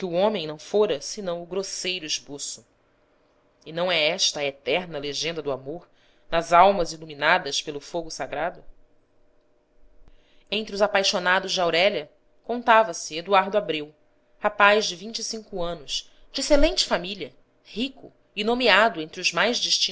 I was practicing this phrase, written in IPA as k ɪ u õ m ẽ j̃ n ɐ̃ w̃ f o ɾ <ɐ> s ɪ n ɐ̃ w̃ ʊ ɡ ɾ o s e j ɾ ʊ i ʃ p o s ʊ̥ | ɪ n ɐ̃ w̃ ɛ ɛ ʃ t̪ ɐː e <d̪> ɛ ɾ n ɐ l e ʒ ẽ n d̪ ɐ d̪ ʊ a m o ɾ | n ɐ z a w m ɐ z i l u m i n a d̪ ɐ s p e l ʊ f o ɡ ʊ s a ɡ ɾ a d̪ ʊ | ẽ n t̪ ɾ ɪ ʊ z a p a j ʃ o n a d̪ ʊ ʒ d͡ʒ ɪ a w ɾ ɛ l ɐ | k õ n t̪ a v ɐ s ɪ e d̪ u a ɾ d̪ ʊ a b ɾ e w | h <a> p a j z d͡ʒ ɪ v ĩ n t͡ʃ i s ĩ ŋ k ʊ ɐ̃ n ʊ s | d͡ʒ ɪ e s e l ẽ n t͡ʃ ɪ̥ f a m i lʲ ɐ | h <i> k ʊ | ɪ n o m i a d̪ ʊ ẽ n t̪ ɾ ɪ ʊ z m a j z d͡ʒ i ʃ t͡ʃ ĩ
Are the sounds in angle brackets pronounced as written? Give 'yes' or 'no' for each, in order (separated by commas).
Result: yes, no, yes, yes